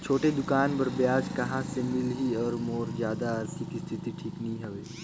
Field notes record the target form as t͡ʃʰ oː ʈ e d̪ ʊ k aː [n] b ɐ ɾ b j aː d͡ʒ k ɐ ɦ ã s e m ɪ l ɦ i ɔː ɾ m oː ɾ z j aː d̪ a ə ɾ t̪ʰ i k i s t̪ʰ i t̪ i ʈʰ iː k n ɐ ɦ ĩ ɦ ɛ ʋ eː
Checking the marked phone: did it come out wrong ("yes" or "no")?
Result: no